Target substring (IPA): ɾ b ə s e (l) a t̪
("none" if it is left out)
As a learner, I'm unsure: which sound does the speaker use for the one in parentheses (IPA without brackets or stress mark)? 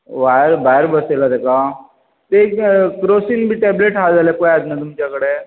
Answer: l